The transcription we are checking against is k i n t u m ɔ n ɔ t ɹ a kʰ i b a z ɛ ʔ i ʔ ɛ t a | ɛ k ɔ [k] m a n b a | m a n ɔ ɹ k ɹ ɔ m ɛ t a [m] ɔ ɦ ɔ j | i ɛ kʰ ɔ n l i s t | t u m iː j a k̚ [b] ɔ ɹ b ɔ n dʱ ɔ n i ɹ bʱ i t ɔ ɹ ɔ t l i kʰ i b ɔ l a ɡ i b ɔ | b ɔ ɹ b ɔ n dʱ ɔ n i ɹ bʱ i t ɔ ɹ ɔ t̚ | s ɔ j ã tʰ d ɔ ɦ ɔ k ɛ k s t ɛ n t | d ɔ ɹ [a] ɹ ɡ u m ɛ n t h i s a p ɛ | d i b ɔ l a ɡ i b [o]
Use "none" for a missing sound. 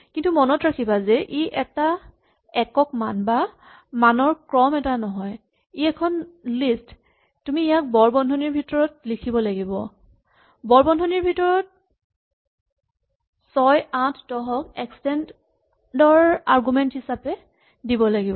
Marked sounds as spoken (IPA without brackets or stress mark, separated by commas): k, n, b, a, ɔ